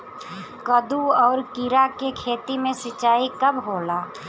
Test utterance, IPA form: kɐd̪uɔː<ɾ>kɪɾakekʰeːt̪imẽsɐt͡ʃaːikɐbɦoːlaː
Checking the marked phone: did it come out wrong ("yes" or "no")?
no